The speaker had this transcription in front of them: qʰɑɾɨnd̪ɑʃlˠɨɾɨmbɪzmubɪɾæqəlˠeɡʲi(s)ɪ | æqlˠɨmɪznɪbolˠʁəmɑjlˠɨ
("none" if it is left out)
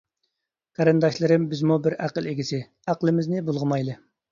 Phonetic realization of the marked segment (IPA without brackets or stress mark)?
s